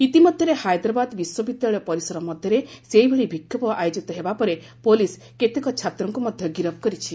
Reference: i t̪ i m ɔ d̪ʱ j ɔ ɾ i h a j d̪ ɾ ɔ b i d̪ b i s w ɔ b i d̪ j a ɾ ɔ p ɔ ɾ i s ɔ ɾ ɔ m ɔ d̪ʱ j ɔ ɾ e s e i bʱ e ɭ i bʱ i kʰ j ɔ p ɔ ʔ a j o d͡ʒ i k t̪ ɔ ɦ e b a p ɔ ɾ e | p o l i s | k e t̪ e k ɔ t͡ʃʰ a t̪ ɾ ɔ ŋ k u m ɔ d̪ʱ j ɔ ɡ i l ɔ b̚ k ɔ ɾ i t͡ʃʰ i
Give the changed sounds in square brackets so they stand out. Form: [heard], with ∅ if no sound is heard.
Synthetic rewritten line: i t̪ i m ɔ d̪ʱ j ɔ ɾ [e] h a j d̪ ɾ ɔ b [a] d̪ b i s w ɔ b i d̪ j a [ɭ] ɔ p ɔ ɾ i s ɔ ɾ ɔ m ɔ d̪ʱ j ɔ ɾ e s e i bʱ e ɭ i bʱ i kʰ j ɔ p ɔ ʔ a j o d͡ʒ i [∅] t̪ ɔ ɦ e b a p ɔ ɾ e | p o l i s | k e t̪ e k ɔ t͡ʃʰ a t̪ ɾ ɔ ŋ k u m ɔ d̪ʱ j ɔ ɡ i [ɾ] ɔ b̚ k ɔ ɾ i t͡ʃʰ i

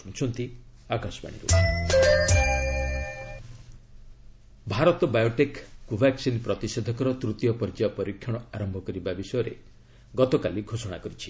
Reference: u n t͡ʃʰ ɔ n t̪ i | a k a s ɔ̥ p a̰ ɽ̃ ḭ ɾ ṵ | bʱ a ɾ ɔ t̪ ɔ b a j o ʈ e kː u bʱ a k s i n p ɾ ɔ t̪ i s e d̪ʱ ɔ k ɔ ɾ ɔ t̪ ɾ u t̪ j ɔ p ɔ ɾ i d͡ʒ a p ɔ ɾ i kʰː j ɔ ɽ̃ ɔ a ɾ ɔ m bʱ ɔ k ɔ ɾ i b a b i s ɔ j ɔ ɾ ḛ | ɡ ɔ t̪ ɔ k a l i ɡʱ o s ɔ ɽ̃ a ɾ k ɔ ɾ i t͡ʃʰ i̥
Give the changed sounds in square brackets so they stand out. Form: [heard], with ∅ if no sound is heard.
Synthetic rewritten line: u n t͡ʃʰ ɔ n t̪ i | a k a s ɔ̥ p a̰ ɽ̃ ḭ ɾ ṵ | bʱ a ɾ ɔ t̪ ɔ b a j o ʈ e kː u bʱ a k s i n p ɾ ɔ t̪ i s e d̪ʱ ɔ k ɔ ɾ ɔ t̪ ɾ u t̪ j ɔ p ɔ ɾ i d͡ʒ a p ɔ ɾ i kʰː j ɔ ɽ̃ ɔ a ɾ ɔ m bʱ ɔ k ɔ ɾ i b a b i s ɔ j ɔ ɾ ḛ | ɡ ɔ t̪ ɔ k a l i ɡʱ o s ɔ ɽ̃ a [∅] k ɔ ɾ i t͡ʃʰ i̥

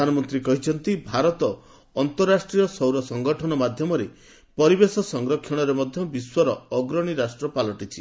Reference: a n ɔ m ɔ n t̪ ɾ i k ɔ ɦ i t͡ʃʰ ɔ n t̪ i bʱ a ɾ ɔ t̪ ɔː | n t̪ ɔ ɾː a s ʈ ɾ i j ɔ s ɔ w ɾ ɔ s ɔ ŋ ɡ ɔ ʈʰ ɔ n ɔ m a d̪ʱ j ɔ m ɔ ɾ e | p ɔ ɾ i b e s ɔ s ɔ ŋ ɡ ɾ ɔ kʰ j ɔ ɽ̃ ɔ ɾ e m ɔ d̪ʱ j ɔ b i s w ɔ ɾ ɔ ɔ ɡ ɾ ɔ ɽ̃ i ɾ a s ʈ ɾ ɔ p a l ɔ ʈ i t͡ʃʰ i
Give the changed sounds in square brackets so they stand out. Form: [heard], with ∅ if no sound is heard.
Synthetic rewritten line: a n ɔ m ɔ n t̪ ɾ i k ɔ ɦ i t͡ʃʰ ɔ n t̪ i bʱ a ɾ ɔ t̪ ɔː | n t̪ ɔ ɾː a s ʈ ɾ i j ɔ s ɔ w ɾ ɔ s ɔ ŋ ɡ ɔ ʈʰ ɔ n ɔ m a d̪ʱ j ɔ m ɔ ɾ e | p ɔ ɾ i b e s ɔ s ɔ ŋ ɡ ɾ ɔ kʰ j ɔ ɽ̃ ɔ ɾ e m ɔ d̪ʱ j ɔ b i s w ɔ ɾ ɔ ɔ ɡ ɾ ɔ ɽ̃ i ɾ a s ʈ ɾ ɔ p a l ɔ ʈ i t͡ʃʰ i

